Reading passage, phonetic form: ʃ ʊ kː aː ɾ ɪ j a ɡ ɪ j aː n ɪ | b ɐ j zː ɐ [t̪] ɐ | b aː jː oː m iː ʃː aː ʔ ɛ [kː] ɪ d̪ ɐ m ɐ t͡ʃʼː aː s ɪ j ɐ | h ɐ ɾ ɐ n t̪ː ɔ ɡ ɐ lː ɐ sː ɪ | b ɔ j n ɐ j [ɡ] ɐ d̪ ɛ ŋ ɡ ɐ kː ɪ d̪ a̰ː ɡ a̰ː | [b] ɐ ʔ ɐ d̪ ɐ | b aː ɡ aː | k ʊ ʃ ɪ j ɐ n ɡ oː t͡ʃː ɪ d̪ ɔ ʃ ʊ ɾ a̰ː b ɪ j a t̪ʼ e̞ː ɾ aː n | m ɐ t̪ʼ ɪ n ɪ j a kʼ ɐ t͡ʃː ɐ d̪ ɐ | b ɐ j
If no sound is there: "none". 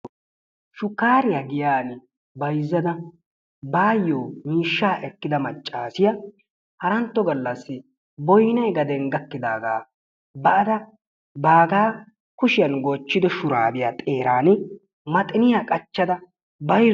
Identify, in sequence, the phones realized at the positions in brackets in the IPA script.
d̪, kː, ɡ, b

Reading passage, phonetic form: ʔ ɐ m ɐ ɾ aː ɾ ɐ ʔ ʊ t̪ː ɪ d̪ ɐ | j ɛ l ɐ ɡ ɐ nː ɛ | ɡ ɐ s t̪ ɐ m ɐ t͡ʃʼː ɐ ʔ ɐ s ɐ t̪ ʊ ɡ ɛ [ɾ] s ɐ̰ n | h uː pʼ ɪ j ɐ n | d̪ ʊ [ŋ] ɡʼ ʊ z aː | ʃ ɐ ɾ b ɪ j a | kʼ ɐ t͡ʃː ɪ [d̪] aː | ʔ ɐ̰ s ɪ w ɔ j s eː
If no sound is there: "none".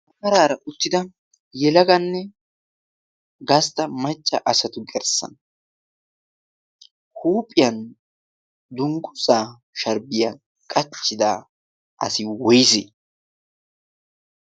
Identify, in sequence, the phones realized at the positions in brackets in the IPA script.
ɾ, ŋ, d̪

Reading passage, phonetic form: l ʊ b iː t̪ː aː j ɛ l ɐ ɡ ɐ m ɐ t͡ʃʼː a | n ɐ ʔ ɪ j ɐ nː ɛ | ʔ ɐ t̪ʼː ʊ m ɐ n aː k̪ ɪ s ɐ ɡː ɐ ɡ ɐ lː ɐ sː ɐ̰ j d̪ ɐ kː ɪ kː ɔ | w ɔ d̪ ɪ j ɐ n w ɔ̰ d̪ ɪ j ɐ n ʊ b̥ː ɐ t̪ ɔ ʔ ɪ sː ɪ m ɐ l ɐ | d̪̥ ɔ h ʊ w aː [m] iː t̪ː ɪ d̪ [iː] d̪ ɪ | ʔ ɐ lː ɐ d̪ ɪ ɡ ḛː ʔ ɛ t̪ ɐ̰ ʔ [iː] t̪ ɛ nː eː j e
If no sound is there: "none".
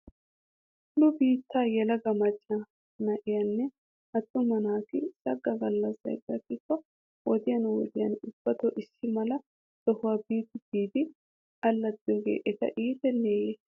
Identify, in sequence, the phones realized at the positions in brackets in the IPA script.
b, iː, iː

